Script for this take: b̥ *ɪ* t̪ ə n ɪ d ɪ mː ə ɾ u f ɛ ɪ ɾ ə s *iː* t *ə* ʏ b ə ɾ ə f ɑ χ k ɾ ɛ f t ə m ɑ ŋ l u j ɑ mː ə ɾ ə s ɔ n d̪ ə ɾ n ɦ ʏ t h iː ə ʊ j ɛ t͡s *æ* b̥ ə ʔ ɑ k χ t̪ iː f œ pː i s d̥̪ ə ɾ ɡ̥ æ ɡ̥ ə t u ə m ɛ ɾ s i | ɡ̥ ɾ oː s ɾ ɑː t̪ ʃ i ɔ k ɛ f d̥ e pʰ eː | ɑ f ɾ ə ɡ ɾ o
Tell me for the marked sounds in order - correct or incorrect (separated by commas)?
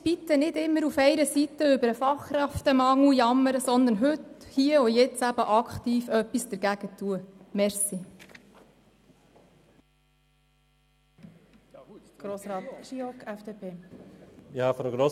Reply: incorrect, incorrect, correct, correct